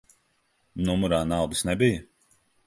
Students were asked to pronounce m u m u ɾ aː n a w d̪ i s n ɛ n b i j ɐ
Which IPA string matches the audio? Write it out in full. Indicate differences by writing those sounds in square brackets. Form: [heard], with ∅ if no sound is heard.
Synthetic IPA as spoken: [n] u m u ɾ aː n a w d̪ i s n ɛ [∅] b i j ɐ